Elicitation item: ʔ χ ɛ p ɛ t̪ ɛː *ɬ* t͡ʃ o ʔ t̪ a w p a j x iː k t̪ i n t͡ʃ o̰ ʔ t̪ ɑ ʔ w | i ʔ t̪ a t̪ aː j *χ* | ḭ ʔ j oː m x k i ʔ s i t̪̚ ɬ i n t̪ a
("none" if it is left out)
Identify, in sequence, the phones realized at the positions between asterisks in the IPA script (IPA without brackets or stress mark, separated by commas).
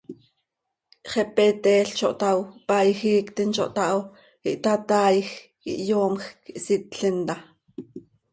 ɬ, x